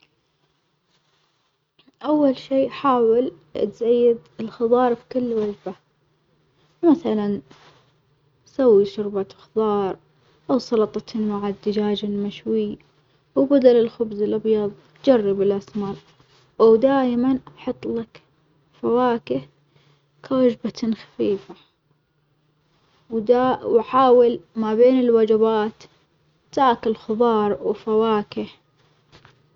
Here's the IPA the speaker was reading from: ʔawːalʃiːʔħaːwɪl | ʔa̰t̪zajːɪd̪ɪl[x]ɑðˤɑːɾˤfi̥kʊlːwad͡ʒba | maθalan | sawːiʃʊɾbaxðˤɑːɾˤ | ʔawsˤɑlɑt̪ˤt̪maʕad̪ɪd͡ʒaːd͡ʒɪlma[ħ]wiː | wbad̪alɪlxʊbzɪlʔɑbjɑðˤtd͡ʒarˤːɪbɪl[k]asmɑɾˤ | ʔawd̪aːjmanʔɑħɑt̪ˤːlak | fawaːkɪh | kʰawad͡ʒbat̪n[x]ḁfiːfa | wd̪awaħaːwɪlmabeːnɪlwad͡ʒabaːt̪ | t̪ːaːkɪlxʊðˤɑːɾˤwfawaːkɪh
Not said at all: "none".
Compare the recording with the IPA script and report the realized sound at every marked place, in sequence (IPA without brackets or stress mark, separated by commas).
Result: x, ʃ, ʔ, x